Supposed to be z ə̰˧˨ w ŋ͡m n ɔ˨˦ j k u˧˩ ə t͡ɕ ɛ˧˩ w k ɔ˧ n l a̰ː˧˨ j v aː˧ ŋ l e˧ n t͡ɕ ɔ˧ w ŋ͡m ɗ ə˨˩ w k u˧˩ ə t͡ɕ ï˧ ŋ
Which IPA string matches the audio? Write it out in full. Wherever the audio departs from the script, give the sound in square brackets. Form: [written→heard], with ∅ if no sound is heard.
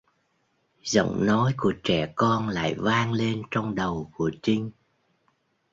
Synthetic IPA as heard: z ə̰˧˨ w ŋ͡m n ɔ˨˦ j k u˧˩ ə t͡ɕ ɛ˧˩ [w→∅] k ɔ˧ n l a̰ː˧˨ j v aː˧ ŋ l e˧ n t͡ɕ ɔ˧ w ŋ͡m ɗ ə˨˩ w k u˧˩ ə t͡ɕ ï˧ ŋ